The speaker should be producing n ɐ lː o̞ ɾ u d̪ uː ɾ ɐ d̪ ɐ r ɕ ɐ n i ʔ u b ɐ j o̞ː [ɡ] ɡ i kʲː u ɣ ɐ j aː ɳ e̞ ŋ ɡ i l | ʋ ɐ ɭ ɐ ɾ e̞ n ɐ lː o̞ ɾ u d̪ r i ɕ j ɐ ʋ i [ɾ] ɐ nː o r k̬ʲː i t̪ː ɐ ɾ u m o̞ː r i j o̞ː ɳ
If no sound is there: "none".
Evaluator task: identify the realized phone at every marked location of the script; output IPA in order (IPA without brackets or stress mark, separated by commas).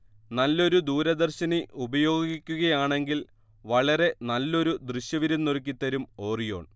ɡ, ɾ